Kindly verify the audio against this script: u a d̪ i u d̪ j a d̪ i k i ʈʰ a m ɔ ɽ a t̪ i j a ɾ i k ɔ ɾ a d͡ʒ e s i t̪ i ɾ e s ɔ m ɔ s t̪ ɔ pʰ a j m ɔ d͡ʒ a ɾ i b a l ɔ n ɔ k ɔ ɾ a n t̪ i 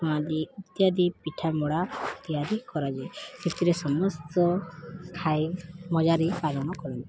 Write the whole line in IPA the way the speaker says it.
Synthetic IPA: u a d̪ i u t̪ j a d̪ i p i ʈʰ a m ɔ ɽ a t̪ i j a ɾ i k ɔ ɾ a d͡ʒ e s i t̪ i ɾ e s ɔ m ɔ s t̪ ɔ kʰ a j m ɔ d͡ʒ a ɾ i p a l ɔ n ɔ k ɔ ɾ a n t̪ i